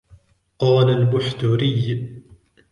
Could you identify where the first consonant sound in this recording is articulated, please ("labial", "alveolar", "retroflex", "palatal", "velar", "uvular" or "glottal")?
uvular